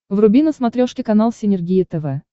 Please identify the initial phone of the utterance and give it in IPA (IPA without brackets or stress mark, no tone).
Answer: v